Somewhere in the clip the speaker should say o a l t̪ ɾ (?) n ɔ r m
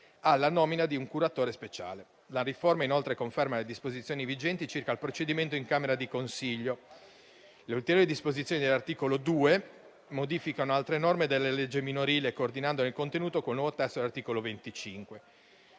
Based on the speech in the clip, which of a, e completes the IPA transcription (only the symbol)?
e